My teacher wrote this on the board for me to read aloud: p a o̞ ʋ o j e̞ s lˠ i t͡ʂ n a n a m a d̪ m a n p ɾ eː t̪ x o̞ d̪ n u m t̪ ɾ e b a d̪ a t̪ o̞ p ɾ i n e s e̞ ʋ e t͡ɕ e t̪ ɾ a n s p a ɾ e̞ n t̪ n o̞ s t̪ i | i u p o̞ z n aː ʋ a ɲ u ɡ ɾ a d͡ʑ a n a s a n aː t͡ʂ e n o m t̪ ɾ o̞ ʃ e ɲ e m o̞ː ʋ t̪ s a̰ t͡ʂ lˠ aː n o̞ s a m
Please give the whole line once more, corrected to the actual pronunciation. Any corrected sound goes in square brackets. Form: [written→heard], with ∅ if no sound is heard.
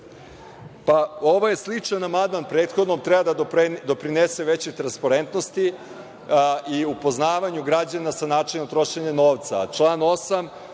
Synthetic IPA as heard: p a o̞ ʋ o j e̞ s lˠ i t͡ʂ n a n a m a d̪ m a n p ɾ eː t̪ x o̞ d̪ n [u→o] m t̪ ɾ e b a d̪ a [t̪→d̪] o̞ p ɾ i n e s e̞ ʋ e t͡ɕ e t̪ ɾ a n s p a ɾ e̞ n t̪ n o̞ s t̪ i | i u p o̞ z n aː ʋ a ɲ u ɡ ɾ a d͡ʑ a n a s a n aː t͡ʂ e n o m t̪ ɾ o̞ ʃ e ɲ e [m→n] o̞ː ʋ t̪ s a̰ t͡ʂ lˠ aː n o̞ s a m